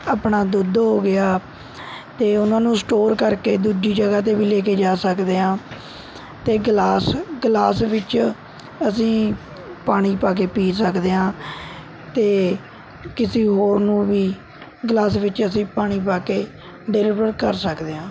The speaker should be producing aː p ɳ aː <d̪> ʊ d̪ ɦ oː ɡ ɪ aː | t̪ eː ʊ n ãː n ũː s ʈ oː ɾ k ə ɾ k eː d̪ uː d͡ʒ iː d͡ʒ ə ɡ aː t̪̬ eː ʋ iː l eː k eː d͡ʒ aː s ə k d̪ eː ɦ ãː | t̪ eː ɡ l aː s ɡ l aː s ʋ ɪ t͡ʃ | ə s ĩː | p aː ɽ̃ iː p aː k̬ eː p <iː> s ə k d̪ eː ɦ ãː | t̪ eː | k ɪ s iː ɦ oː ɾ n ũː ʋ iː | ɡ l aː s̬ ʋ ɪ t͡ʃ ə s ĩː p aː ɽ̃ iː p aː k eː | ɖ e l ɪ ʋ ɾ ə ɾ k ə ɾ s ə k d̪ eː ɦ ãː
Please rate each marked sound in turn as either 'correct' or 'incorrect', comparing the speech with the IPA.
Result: correct, correct

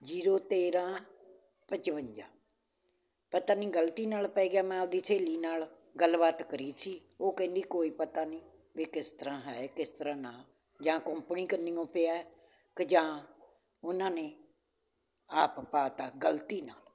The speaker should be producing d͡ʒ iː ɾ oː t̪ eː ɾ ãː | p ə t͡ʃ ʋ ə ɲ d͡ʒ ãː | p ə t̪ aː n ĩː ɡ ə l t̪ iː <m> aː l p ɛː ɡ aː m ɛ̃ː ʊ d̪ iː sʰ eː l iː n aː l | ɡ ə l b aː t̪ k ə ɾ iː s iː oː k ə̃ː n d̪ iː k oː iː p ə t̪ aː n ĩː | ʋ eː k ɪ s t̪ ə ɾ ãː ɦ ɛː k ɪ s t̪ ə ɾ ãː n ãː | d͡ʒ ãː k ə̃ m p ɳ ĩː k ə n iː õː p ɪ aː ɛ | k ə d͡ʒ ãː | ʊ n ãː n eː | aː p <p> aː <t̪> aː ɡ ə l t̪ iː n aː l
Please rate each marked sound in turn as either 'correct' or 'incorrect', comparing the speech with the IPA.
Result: incorrect, correct, correct

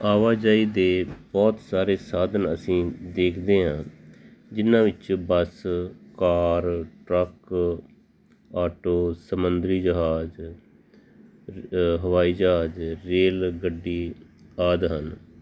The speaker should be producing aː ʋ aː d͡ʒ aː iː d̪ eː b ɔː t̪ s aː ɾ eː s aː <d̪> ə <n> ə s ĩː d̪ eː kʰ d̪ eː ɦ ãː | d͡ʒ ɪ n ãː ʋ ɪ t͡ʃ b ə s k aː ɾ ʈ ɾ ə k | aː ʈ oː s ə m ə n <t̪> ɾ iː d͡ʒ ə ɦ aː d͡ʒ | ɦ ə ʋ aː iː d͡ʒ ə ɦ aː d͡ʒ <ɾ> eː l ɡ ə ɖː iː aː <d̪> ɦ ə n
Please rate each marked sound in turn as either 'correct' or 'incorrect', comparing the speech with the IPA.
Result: correct, correct, incorrect, correct, correct

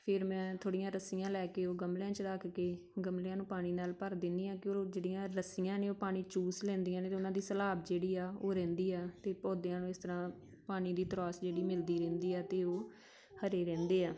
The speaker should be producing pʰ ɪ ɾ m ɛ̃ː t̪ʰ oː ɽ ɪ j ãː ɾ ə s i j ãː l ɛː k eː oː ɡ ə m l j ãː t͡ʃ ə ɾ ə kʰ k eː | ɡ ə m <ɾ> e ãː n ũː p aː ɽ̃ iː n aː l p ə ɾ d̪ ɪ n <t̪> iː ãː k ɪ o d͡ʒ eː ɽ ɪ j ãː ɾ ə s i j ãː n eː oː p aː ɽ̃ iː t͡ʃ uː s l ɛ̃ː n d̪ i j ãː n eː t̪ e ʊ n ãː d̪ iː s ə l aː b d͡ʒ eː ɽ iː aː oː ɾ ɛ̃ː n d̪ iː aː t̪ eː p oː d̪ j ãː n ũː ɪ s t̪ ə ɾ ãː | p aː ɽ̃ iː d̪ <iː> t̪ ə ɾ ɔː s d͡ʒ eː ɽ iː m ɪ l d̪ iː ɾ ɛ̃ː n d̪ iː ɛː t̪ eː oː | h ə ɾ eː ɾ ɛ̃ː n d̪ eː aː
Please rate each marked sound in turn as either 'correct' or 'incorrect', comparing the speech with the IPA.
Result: incorrect, incorrect, correct

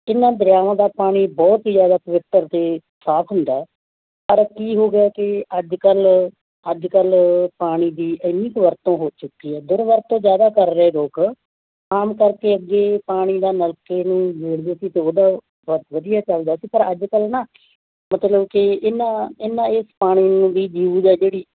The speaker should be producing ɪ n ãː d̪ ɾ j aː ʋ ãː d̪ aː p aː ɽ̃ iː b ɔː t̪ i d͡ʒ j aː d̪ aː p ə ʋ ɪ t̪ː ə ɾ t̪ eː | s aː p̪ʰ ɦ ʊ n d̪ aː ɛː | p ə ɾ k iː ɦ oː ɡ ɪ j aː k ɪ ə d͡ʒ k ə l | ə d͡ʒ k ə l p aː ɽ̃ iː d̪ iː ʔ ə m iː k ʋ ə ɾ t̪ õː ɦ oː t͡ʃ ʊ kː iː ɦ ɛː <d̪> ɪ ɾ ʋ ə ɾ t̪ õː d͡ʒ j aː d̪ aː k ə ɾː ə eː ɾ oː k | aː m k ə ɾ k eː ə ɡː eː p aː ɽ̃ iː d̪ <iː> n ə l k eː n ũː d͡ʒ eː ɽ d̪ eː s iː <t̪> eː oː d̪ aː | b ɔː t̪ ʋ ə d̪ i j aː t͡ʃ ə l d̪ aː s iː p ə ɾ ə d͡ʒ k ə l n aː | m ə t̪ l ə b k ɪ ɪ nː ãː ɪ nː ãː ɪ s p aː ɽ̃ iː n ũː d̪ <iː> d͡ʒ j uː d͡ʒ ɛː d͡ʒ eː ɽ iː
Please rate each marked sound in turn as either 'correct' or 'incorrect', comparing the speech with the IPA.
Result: correct, incorrect, correct, correct

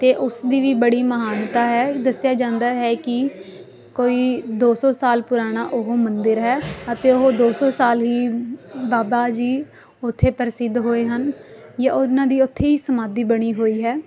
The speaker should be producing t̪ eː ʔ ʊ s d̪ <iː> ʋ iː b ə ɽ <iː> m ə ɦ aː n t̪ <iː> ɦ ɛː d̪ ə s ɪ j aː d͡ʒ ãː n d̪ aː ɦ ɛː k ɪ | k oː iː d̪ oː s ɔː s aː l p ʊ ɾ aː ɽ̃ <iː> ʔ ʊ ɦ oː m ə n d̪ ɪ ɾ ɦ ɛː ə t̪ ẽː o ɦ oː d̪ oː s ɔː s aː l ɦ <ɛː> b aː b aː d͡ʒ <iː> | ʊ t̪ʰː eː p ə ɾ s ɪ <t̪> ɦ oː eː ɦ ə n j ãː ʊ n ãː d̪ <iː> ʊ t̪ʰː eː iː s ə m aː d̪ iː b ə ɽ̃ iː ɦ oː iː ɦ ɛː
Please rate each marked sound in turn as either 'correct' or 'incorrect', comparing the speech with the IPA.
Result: correct, correct, incorrect, incorrect, incorrect, correct, incorrect, correct

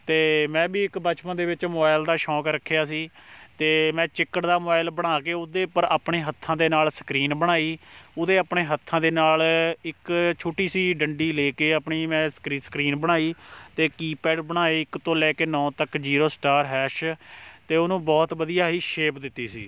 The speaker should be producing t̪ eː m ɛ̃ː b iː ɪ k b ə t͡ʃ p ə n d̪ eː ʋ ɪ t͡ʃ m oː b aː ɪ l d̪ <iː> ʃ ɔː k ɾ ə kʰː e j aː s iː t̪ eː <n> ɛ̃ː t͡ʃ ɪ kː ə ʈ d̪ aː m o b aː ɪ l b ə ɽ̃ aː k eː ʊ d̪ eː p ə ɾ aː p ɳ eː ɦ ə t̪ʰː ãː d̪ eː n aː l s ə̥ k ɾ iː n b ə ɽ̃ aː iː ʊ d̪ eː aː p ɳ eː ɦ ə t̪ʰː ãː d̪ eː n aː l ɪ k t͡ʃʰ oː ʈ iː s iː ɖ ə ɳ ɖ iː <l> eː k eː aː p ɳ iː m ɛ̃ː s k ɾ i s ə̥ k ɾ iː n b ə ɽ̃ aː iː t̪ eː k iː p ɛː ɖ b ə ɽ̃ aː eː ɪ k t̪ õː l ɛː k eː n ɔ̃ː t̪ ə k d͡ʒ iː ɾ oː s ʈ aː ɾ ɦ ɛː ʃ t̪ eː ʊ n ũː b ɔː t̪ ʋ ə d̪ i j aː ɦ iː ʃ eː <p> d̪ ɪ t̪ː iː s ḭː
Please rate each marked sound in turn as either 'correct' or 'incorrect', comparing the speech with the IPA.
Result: incorrect, incorrect, correct, correct

